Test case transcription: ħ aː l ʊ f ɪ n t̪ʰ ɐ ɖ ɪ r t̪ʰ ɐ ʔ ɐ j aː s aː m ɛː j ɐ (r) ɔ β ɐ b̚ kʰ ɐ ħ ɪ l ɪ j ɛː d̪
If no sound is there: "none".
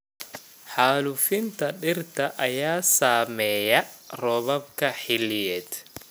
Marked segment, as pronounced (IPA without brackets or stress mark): r